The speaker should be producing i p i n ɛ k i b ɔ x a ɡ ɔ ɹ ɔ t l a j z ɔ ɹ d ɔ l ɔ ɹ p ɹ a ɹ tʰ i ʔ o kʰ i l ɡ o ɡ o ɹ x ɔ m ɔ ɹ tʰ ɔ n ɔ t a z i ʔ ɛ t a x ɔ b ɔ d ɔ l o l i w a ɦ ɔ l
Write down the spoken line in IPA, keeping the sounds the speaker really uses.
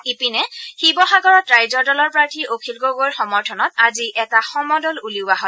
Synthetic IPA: i p i n ɛ x i b ɔ x a ɡ ɔ ɹ ɔ t ɹ a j z ɔ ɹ d ɔ l ɔ ɹ p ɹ a ɹ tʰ i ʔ o kʰ i l ɡ o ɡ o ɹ x ɔ m ɔ ɹ tʰ ɔ n ɔ t a z i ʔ ɛ t a x ɔ m ɔ d ɔ l u l i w a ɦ ɔ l